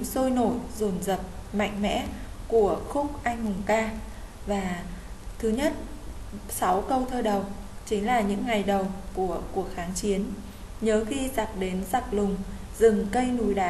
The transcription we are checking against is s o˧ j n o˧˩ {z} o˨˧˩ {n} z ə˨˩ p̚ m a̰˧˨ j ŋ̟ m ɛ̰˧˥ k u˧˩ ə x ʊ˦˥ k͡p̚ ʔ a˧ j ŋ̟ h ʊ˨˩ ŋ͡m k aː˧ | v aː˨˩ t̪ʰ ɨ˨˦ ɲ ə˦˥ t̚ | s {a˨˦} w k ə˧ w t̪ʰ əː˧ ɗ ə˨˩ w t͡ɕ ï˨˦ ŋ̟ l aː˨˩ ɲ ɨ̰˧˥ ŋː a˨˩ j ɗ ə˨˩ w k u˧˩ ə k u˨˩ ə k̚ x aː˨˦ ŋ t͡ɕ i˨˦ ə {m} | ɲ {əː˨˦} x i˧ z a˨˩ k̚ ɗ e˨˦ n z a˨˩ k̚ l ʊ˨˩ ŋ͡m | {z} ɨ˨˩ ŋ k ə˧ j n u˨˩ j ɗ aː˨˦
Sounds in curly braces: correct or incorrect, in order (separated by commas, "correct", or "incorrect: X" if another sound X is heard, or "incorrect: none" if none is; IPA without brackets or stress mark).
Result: correct, correct, correct, incorrect: n, correct, correct